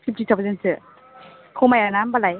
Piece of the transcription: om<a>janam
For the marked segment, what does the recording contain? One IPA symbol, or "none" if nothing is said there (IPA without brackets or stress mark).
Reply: a